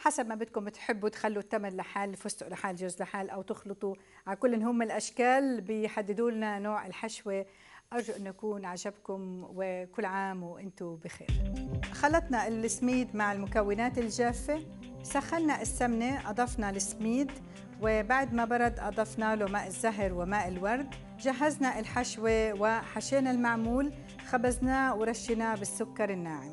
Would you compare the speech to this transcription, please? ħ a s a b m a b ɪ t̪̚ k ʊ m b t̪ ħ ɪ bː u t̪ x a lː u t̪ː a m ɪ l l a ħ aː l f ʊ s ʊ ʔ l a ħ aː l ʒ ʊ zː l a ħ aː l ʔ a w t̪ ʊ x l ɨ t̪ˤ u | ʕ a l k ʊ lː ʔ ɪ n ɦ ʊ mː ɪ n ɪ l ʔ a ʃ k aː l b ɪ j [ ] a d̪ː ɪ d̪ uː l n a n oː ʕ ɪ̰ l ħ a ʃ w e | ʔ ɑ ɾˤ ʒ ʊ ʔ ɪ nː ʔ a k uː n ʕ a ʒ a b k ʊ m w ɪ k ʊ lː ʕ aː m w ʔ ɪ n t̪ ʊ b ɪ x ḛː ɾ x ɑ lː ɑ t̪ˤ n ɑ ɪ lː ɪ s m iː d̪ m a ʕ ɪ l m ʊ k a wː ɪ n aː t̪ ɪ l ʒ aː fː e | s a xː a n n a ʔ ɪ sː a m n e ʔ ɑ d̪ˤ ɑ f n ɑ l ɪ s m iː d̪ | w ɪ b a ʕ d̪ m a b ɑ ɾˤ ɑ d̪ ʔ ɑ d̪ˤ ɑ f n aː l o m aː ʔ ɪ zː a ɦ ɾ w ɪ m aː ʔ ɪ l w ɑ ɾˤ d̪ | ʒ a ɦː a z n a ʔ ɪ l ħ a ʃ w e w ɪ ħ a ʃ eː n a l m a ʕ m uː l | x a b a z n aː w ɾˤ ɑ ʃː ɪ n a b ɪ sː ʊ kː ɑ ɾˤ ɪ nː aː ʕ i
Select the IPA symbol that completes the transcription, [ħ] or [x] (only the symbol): ħ